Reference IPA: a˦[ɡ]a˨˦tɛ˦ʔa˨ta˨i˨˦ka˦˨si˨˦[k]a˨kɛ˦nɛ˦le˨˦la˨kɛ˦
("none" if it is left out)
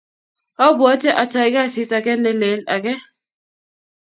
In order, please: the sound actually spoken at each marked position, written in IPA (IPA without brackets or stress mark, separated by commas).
b, t